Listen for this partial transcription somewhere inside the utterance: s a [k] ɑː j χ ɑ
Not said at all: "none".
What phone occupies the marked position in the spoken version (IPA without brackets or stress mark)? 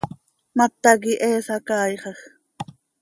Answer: k